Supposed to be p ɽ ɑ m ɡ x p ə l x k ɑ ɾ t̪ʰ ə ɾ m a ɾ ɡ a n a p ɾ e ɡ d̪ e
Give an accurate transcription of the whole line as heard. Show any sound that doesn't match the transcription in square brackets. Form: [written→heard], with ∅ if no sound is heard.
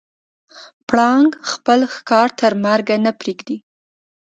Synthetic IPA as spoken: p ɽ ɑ [m→ŋ] ɡ x p ə l x k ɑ ɾ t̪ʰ ə ɾ m a ɾ ɡ a n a p ɾ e ɡ d̪ [e→i]